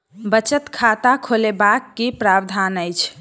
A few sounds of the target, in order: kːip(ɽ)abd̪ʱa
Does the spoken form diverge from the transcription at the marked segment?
yes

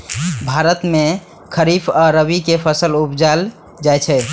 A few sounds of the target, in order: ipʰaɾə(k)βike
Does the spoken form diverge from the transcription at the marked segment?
yes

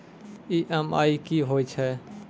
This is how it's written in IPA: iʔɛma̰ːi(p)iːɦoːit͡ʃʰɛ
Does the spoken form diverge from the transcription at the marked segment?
yes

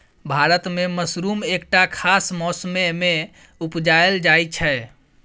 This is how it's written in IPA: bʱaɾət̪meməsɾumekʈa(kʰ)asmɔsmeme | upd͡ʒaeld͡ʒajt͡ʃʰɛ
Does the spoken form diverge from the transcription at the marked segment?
no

